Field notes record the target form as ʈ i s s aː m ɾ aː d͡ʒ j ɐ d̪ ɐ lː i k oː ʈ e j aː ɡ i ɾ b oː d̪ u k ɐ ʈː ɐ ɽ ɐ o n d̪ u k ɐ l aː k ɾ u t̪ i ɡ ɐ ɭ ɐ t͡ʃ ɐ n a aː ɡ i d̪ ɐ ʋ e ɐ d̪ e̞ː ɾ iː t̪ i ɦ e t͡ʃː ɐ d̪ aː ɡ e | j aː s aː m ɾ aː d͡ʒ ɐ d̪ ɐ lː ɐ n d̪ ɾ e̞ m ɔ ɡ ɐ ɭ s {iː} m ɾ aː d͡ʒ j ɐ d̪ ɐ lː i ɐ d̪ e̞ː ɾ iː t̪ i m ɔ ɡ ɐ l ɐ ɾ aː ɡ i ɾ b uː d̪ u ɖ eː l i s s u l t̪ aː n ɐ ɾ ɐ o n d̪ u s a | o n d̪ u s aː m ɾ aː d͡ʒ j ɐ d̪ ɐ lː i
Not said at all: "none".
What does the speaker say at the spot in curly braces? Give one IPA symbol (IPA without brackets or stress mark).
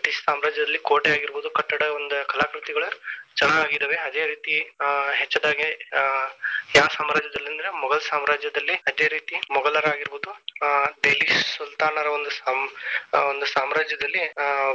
aː